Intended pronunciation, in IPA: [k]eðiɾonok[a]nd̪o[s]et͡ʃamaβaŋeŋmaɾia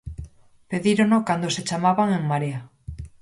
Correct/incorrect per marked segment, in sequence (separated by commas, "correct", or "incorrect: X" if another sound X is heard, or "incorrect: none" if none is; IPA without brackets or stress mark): incorrect: p, correct, correct